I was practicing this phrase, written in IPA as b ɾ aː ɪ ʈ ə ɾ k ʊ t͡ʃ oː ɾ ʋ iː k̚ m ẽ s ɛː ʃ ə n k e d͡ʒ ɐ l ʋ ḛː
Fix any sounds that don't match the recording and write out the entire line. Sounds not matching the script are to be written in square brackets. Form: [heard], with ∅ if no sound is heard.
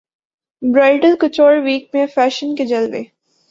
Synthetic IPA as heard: b ɾ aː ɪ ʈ ə [l] k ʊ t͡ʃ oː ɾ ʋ iː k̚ m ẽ [f] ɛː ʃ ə n k e d͡ʒ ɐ l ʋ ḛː